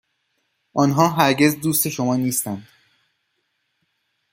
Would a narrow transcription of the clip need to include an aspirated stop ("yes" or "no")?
no